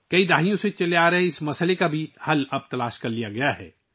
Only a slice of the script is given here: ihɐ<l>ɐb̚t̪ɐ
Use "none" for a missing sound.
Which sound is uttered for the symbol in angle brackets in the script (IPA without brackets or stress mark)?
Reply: l